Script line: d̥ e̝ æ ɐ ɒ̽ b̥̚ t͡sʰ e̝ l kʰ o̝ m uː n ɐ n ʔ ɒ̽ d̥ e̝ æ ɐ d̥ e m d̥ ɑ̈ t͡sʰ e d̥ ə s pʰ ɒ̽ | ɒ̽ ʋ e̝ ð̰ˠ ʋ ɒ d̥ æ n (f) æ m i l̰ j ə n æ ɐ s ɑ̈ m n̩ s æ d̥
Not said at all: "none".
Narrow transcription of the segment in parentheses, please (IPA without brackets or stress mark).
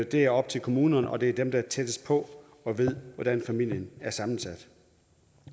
f